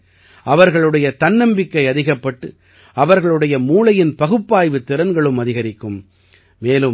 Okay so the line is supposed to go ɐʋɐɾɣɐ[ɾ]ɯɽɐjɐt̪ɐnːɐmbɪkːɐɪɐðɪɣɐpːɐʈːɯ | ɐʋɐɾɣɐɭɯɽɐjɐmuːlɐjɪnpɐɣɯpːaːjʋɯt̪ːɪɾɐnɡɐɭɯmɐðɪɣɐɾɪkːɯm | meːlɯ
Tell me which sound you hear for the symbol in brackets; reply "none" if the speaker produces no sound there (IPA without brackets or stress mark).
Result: ɭ